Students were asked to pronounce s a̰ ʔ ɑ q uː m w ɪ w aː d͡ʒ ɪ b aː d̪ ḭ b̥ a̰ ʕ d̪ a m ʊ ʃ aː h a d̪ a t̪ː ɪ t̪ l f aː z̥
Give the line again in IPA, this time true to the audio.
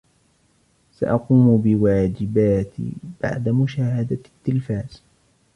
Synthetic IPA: s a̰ ʔ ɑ q uː m b ɪ w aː d͡ʒ ɪ b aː t̪ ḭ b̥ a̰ ʕ d̪ a m ʊ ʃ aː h a d̪ a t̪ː ɪ l f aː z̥